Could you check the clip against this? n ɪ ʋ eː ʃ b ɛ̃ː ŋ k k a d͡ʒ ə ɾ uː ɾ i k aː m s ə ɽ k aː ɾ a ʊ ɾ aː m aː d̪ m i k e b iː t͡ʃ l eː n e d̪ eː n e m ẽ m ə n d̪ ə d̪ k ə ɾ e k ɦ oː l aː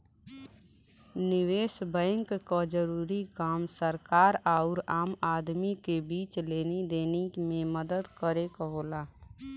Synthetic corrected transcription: n ɪ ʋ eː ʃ b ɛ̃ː ŋ k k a d͡ʒ ə ɾ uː ɾ i k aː m s ə ɾ k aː ɾ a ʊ ɾ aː m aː d̪ m i k e b iː t͡ʃ l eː n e d̪ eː n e m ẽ m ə d̪ ə d̪ k ə ɾ e k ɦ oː l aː